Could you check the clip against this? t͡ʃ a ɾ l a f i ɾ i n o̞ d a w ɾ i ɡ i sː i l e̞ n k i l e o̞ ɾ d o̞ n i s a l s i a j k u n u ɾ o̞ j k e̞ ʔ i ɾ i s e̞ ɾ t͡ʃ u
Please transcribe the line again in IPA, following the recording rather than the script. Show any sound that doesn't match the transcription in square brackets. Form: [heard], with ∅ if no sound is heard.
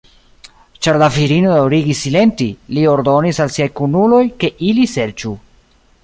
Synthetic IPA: t͡ʃ a ɾ l a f i ɾ i n o̞ d a w ɾ i ɡ i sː i l e̞ n [t] i l [i] o̞ ɾ d o̞ n i s a l s i a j k u n u [l] o̞ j k e̞ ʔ i [l] i s e̞ ɾ t͡ʃ u